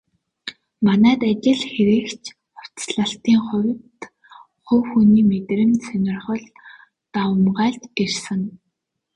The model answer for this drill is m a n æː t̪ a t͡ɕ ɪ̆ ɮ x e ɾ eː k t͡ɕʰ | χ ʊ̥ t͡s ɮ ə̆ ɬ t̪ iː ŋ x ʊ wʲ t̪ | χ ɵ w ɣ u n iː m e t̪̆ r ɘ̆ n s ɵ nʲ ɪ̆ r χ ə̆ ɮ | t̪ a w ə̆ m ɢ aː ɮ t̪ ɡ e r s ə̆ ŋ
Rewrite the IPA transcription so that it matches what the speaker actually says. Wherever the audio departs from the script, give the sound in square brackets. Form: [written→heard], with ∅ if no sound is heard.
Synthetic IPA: m a n æː t̪ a t͡ɕ ɪ̆ ɮ x e ɾ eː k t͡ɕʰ | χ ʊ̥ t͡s ɮ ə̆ ɬ t̪ iː ŋ [x→χ] ʊ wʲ t̪ | χ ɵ w [ɣ→x] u n iː m e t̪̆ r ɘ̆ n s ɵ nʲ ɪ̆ r χ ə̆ ɮ | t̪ a w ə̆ m ɢ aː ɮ t̪ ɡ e r s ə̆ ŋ